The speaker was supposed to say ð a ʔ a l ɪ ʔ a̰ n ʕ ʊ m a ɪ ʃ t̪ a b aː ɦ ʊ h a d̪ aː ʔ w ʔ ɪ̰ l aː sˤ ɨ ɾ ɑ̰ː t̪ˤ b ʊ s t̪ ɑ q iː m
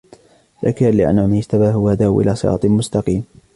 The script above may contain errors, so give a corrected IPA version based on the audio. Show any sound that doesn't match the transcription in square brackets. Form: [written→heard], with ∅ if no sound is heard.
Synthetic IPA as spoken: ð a [ʔ→k] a l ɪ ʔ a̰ n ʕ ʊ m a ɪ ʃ t̪ a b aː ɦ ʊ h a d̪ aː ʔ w ʔ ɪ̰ l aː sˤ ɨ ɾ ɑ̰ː t̪ˤ [b→m] ʊ s t̪ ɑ q iː m

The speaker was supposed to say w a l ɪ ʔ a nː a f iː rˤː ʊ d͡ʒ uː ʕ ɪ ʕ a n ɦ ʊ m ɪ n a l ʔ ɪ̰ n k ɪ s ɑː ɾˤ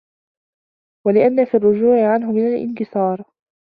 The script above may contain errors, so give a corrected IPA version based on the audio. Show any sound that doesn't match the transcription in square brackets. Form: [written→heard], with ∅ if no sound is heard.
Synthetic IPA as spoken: w a l ɪ ʔ a nː a f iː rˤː ʊ d͡ʒ uː ʕ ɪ ʕ a n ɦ ʊ m ɪ n a l ʔ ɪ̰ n k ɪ s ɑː ɾˤ

